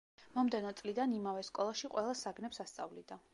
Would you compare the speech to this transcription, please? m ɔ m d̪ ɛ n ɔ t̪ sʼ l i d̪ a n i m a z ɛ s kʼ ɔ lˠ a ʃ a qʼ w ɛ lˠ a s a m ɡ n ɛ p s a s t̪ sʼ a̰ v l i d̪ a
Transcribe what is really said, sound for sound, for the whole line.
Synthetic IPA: m ɔ m d̪ ɛ n ɔ t̪ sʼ l i d̪ a n i m a v ɛ s kʼ ɔ lˠ a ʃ i qʼ w ɛ lˠ a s a ɡ n ɛ p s a s t̪ sʼ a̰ v l i d̪ a

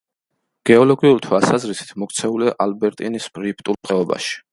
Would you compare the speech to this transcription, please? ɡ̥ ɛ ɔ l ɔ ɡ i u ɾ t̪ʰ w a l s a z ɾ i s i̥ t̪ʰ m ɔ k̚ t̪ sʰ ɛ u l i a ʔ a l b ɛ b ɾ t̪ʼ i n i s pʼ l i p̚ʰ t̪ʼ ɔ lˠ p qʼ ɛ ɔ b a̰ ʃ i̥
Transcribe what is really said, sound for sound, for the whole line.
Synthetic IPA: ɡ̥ ɛ ɔ l ɔ ɡ i u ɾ t̪ʰ w a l s a z ɾ i s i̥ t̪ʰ m ɔ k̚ t̪ sʰ ɛ u l i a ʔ a l b ɛ ɾ t̪ʼ i n i s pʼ ɾ i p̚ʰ t̪ʼ u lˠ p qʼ ɛ ɔ b a̰ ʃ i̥

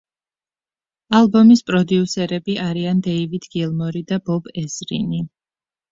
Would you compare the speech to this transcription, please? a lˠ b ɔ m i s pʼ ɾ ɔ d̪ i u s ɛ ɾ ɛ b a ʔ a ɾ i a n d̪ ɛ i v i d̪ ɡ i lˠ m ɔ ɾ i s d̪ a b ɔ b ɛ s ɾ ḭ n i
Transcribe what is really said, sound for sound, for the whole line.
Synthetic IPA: a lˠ b ɔ m i s pʼ ɾ ɔ d̪ i u s ɛ ɾ ɛ b i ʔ a ɾ i a n d̪ ɛ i v i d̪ ɡ i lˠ m ɔ ɾ i d̪ a b ɔ b ɛ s ɾ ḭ n i

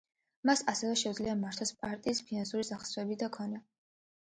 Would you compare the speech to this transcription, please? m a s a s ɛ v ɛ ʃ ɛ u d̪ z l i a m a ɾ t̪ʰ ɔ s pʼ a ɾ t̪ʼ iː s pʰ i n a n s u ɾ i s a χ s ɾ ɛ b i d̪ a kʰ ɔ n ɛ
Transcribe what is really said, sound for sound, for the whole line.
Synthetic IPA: m a s a s ɛ v ɛ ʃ ɛ u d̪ z l i a m a ɾ t̪ʰ ɔ s pʼ a ɾ t̪ʼ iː s pʰ i n a n s u ɾ i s a χ s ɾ ɛ b i d̪ a kʰ ɔ n ɛ

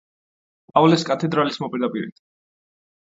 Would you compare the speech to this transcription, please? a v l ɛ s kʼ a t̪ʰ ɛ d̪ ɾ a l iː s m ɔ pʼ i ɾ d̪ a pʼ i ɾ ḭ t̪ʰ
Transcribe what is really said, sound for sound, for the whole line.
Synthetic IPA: a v l ɛ s kʼ a t̪ʰ ɛ d̪ ɾ a l i s m ɔ pʼ i ɾ d̪ a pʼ i ɾ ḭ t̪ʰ

